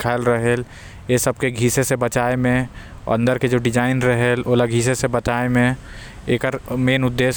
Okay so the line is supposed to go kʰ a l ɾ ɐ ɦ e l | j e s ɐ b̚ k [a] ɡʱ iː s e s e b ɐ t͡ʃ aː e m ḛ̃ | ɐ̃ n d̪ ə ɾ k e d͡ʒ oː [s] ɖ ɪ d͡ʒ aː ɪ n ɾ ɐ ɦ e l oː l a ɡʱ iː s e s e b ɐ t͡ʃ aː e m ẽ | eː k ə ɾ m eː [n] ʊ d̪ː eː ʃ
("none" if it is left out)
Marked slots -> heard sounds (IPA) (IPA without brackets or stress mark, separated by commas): e, none, n